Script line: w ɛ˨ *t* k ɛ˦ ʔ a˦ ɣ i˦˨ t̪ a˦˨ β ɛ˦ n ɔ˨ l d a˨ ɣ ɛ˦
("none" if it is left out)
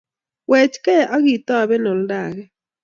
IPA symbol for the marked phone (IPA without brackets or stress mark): t͡ʃ